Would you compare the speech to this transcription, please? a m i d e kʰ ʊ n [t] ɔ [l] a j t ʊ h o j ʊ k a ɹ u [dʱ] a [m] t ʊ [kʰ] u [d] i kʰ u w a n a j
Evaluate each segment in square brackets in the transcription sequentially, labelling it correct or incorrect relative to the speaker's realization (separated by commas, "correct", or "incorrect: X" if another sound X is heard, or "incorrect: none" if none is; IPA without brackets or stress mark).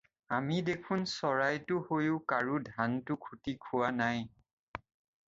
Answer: incorrect: s, incorrect: ɹ, correct, incorrect: n, correct, incorrect: t